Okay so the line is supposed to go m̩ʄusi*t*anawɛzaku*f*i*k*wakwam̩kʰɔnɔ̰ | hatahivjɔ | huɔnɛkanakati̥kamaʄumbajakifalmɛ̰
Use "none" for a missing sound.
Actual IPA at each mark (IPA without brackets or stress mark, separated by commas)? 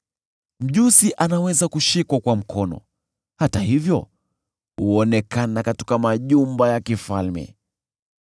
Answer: ʔ, ʃ, k